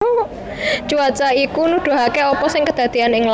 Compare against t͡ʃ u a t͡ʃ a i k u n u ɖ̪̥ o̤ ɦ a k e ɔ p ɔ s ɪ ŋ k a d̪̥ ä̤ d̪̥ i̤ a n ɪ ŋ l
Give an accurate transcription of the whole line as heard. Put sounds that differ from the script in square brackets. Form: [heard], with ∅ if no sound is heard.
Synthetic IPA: t͡ʃ u a t͡ʃ a i k u n u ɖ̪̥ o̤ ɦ a k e ɔ p ɔ s ɪ ŋ k [ə] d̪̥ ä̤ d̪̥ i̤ a n ɪ ŋ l